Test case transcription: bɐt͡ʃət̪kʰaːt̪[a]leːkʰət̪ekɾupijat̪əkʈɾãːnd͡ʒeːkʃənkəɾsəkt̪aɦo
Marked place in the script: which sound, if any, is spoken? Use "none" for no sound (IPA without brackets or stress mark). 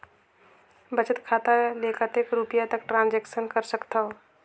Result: a